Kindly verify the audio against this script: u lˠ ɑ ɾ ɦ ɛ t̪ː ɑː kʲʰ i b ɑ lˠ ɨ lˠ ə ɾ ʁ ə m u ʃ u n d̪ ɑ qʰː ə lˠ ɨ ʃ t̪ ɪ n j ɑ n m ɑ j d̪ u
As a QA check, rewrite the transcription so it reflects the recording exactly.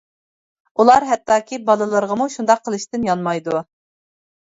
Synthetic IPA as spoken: u lˠ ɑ ɾ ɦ ɛ t̪ː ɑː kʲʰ i b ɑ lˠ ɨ lˠ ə ɾ ʁ ə m u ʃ u n d̪ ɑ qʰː ə lˠ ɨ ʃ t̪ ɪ n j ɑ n m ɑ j d̪ u